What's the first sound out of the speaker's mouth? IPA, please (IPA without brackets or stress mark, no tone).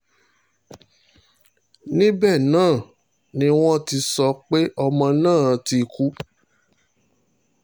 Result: n